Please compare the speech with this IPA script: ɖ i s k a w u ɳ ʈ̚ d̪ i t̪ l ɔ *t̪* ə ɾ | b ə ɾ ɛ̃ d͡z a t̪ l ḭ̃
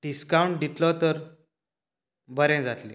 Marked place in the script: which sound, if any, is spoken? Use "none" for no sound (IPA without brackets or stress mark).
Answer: t̪